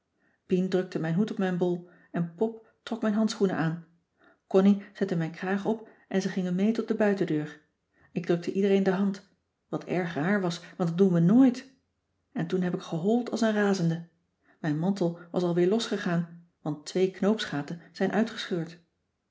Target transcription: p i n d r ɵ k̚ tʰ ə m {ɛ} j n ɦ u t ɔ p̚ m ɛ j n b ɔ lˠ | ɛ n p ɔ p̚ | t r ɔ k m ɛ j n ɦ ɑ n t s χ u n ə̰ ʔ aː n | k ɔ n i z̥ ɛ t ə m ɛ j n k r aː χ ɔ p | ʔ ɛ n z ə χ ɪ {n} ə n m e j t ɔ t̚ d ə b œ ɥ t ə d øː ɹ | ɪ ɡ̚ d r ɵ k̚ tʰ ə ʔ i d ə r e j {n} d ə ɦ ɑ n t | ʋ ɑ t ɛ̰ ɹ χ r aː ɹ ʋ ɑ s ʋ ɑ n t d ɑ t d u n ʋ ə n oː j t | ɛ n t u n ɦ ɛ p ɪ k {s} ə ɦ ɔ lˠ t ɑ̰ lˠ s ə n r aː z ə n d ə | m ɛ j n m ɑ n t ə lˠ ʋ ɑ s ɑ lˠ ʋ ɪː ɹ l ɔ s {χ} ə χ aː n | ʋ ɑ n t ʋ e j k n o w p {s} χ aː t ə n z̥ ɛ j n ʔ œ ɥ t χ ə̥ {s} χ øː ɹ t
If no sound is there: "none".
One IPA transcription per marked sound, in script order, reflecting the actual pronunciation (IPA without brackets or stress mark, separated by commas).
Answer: ɛ, ŋ, n, χ, χ, s, s